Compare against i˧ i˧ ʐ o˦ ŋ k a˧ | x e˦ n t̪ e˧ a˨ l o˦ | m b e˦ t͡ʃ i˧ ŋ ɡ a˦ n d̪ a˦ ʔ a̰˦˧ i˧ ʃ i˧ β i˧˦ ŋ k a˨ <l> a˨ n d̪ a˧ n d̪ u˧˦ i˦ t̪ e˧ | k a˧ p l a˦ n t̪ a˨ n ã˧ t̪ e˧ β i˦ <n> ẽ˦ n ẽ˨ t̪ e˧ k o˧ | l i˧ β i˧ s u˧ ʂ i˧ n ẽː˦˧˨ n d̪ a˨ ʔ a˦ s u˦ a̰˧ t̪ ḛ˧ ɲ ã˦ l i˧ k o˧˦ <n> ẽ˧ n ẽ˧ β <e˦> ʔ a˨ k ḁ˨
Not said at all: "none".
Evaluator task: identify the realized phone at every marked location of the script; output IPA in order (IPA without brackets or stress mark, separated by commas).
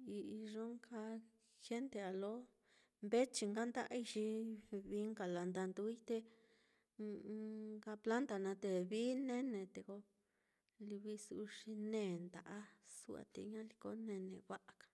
l, n, n, a˦